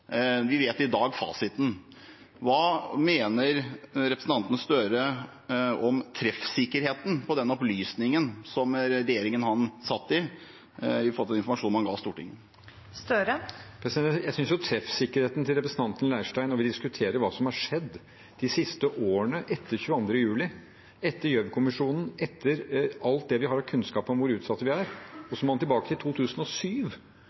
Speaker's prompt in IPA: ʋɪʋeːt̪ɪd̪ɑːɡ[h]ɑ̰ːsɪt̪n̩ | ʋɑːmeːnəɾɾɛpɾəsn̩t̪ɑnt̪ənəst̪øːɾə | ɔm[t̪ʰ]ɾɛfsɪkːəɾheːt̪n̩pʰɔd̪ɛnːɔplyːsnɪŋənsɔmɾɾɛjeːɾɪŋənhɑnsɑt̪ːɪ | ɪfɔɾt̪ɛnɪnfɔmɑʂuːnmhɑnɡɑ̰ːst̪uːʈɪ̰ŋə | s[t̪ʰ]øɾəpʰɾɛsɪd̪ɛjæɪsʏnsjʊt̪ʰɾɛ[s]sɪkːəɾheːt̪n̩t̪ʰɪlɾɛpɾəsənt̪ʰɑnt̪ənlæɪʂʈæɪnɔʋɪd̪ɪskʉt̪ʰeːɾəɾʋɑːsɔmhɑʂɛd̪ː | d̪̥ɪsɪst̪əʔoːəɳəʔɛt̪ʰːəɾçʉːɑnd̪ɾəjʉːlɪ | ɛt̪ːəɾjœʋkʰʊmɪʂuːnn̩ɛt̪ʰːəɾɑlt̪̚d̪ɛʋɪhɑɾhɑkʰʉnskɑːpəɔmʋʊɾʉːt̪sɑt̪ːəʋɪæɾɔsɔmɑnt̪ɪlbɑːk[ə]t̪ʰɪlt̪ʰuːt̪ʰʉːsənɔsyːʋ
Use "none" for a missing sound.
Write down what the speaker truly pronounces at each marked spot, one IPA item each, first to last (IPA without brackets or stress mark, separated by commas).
f, t̪ʰ, t̪, f, ə